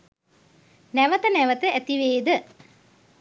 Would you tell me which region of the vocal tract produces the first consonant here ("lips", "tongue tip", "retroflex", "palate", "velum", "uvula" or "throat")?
tongue tip